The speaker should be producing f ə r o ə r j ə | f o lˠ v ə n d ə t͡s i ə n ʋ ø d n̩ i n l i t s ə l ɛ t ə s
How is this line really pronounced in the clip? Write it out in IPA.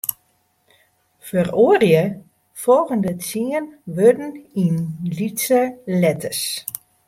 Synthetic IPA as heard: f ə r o ə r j ə | f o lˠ ɣ ə n d ə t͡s i ə n ʋ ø d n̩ i n l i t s ə l ɛ t ə s